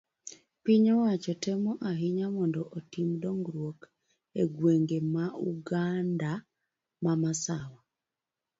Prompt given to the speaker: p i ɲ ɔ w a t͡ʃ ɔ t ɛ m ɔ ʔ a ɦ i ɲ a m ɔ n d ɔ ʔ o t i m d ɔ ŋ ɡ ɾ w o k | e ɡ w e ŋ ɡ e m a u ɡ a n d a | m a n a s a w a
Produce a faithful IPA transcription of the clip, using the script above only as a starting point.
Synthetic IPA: p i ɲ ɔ w a t͡ʃ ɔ t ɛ m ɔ ʔ a ɦ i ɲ a m ɔ n d ɔ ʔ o t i m d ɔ ŋ ɡ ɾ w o k | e ɡ w e ŋ ɡ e m a u ɡ a n d a | m a m a s a w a